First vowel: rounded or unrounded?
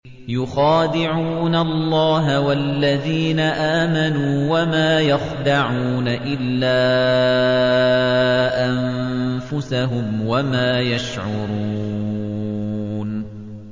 rounded